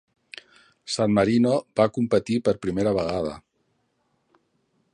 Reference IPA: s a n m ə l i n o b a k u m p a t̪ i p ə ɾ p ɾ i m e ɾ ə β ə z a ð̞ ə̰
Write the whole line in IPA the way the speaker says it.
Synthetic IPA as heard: s a n m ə ɾ i n o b a k u m p ə t̪ i p ə ɾ p ɾ i m e ɾ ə β ə ɣ a ð̞ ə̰